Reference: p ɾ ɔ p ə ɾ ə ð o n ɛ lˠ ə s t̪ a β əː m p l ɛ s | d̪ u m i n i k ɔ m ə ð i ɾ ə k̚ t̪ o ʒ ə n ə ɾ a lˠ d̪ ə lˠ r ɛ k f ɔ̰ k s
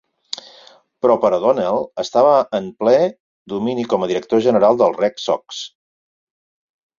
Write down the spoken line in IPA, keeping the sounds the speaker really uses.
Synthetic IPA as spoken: p ɾ ɔ p ə ɾ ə ð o n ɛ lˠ ə s t̪ a β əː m p l ɛ | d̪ u m i n i k ɔ m ə ð i ɾ ə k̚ t̪ o ʒ ə n ə ɾ a lˠ d̪ ə lˠ r ɛ k s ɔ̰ k s